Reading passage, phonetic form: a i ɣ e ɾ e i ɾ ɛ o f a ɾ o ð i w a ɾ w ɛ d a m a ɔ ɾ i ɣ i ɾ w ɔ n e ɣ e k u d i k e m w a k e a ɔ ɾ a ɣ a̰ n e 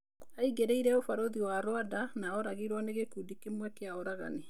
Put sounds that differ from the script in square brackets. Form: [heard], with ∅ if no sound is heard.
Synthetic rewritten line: a i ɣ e ɾ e i ɾ ɛ o f a ɾ o ð i w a ɾ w [a] d a [n] a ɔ ɾ [a] ɣ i ɾ w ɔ n e ɣ e k u d i k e m w [ɛ] k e a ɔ ɾ a ɣ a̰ n e

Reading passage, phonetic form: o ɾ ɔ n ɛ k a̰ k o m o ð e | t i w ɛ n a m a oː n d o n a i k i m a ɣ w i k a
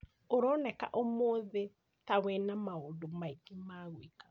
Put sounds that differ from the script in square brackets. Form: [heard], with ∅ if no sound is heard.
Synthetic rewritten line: o ɾ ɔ n ɛ k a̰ [ʔ] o m o ð e | t [a] w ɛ n a m a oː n d o [m] a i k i m a ɣ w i k a

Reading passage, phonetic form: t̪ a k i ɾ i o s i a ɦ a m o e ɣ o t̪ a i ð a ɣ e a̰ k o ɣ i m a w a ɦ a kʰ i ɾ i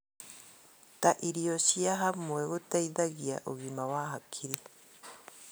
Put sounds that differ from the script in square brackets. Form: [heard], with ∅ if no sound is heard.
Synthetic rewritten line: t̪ a [ʔ] i ɾ i o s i a ɦ a m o e ɣ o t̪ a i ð a ɣ [i] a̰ [ʔ] o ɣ i m a w a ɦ a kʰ i ɾ i

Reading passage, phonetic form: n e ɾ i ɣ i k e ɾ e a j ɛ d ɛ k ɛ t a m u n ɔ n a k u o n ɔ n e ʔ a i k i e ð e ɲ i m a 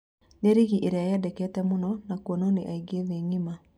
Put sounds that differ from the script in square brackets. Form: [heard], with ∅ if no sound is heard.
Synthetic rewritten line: n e ɾ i ɣ i [ʔ] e ɾ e a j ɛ d ɛ k ɛ t [ɛ] m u n ɔ n a k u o n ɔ n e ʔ a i [ɡ] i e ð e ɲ i m a

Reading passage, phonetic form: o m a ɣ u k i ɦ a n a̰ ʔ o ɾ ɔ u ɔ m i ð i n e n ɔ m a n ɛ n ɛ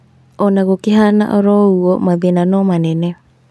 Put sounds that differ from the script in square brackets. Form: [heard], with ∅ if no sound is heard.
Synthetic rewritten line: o [n] a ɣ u k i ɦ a n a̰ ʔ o ɾ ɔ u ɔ m [a] ð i n [a] n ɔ m a n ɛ n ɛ

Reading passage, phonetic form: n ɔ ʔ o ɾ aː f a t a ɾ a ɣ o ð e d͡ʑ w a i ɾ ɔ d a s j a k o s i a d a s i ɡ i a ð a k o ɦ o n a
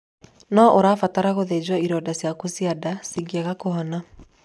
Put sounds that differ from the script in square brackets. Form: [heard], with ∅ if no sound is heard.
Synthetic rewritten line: n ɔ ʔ o ɾ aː f a t a ɾ a ɣ o ð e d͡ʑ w a i ɾ ɔ d a s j a k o s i a d a s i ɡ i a [ɣ] a k o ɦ [ɔ] n a

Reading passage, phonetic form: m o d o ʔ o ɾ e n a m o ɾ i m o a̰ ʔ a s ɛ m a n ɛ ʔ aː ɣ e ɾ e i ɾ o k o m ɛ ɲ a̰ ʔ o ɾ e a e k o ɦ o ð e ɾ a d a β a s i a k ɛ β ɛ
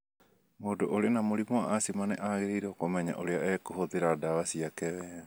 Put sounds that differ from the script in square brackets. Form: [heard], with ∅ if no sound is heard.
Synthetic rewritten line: m o d o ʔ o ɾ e n a m o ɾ i m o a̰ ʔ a s [i] m a n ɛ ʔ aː ɣ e ɾ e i ɾ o k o m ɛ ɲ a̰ ʔ o ɾ e a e k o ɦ o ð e ɾ a d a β a s i a k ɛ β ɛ

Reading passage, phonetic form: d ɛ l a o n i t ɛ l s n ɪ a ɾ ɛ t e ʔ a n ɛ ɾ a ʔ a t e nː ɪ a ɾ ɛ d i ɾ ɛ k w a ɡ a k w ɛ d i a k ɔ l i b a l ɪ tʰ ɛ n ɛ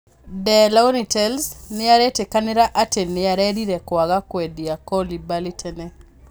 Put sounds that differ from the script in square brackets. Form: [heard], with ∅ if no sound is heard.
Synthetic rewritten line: d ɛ l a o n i t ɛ l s n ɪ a ɾ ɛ t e [k] a n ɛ ɾ a ʔ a t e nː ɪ a ɾ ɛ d i ɾ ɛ k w a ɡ a k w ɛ d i a k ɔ l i b a l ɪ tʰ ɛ n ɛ

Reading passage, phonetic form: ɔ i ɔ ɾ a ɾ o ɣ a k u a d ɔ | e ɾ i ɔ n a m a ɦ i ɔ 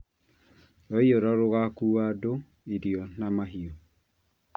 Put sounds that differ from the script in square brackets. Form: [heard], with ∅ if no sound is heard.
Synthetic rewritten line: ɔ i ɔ ɾ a ɾ o ɣ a k u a d [o] | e ɾ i ɔ n a m a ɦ i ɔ

